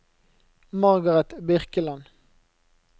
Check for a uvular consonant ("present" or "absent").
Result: present